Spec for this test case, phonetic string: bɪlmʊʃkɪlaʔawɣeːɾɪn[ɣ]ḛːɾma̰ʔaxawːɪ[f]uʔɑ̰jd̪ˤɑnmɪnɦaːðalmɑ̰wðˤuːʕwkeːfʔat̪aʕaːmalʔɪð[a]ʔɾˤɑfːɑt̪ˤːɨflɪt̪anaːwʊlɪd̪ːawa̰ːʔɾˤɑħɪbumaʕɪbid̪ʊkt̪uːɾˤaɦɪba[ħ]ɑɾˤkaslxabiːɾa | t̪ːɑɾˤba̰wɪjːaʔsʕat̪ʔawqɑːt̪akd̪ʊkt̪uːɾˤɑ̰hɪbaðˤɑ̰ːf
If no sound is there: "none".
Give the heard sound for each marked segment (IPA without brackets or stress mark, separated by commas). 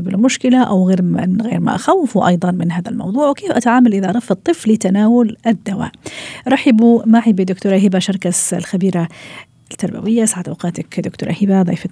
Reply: ɣ, f, a, ʃ